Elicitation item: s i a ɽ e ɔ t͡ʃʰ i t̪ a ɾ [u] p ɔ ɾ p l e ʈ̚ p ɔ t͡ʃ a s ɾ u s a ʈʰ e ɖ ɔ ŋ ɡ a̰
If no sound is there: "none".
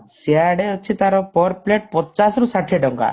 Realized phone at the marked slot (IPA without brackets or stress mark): ɔ